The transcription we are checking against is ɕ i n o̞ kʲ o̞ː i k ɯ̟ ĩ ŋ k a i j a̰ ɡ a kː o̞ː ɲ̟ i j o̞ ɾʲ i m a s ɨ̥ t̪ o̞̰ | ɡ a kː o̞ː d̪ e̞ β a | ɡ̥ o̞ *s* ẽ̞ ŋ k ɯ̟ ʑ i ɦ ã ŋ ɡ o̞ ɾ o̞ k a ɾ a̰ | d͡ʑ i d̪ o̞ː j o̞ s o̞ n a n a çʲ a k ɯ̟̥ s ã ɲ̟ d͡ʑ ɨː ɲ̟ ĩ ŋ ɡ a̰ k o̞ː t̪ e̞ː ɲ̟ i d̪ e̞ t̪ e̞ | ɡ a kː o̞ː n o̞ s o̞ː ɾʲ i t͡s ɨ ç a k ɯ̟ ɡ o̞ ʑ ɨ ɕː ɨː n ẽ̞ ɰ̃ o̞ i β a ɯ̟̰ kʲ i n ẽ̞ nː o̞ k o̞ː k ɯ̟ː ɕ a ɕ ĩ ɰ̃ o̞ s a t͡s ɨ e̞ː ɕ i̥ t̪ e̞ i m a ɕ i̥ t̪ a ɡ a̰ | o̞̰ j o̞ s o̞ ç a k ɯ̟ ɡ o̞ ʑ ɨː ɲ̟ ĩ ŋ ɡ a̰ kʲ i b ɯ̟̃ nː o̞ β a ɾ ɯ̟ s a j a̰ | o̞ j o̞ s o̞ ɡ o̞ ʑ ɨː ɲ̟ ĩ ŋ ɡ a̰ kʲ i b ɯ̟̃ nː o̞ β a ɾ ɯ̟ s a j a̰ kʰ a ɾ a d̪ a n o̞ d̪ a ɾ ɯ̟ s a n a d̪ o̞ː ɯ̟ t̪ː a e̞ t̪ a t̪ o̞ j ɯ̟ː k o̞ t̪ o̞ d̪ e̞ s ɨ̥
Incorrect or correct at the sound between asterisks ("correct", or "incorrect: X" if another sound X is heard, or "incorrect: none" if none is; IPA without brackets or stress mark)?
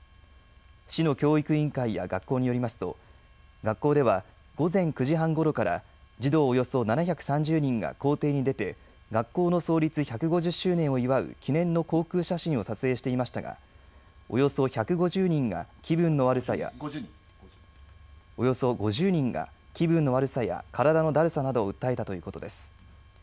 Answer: incorrect: z